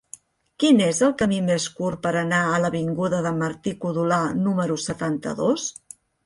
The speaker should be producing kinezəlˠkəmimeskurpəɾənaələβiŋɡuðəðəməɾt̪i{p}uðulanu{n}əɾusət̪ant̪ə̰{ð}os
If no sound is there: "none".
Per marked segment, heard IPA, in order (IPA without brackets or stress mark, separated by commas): k, m, ð